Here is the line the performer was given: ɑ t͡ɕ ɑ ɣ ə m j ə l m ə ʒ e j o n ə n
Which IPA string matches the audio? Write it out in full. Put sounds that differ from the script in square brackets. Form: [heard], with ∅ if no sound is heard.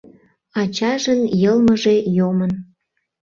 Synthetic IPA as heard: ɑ t͡ɕ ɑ [ʒ] ə [n] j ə l m ə ʒ e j o [m] ə n